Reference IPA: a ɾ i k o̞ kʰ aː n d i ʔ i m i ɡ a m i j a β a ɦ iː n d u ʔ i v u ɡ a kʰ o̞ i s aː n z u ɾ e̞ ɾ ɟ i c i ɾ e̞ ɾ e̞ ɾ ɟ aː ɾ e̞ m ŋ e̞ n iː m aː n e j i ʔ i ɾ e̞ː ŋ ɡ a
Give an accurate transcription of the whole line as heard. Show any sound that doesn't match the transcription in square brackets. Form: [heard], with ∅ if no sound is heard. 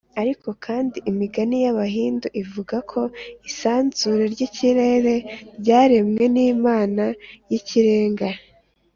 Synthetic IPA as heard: a ɾ i k o̞ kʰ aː n d i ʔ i m i ɡ a [n] i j a β a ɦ iː n d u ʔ i v u ɡ a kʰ o̞ i s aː n z u ɾ e̞ ɾ ɟ i c i ɾ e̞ ɾ e̞ ɾ ɟ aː ɾ e̞ m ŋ e̞ n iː m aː n [a] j i [c] i ɾ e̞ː ŋ ɡ a